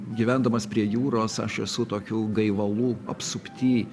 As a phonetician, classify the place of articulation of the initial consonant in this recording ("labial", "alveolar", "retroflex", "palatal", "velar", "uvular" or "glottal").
velar